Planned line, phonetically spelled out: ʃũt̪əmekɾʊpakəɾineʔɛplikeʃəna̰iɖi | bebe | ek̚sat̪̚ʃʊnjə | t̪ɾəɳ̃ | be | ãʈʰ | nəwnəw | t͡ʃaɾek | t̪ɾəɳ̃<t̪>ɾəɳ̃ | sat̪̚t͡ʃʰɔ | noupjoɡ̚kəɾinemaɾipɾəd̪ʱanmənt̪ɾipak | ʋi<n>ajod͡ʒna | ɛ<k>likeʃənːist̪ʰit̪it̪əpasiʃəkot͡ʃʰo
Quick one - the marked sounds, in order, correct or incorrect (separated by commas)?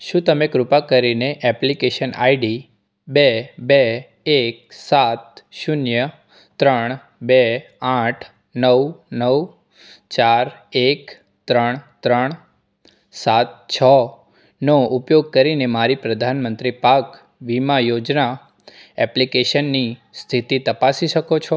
correct, incorrect, incorrect